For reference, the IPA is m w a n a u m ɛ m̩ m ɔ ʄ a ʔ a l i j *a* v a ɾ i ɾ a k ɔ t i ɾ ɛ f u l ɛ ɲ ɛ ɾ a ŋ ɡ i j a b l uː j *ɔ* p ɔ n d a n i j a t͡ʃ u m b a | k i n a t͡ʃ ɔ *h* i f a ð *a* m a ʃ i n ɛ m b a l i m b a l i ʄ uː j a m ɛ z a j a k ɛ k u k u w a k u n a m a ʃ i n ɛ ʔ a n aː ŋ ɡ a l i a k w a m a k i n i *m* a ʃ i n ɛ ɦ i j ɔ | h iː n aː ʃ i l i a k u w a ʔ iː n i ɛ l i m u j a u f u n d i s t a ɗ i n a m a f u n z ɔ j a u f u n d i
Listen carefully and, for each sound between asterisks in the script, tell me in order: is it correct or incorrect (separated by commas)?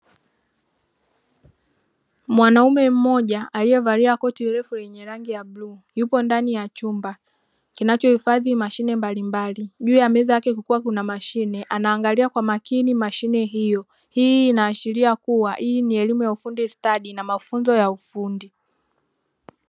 incorrect, incorrect, correct, incorrect, correct